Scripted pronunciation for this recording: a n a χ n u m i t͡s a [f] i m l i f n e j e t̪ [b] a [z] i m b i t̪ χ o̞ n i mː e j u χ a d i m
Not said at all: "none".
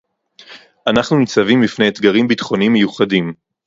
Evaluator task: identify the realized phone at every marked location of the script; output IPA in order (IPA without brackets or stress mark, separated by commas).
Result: v, ɡ, ʁ